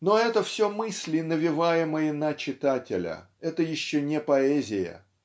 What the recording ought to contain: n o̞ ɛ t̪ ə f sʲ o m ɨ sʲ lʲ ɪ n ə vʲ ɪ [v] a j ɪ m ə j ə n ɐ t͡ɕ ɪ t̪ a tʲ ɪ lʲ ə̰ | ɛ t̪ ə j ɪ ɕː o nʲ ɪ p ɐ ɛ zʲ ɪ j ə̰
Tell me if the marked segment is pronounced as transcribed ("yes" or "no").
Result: yes